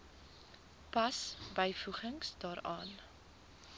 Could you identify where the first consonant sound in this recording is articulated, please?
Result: labial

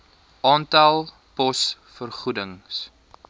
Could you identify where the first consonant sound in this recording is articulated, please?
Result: alveolar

